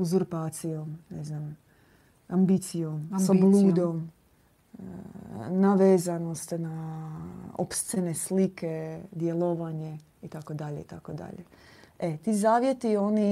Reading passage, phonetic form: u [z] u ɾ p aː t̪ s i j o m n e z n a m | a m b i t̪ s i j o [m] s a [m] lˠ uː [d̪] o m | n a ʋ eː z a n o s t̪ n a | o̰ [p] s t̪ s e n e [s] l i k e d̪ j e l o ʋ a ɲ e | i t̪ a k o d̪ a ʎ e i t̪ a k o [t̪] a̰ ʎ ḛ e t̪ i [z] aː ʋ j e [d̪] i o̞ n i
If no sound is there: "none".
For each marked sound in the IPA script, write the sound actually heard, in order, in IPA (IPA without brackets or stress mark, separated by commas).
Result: z, m, b, d̪, p, s, d̪, z, t̪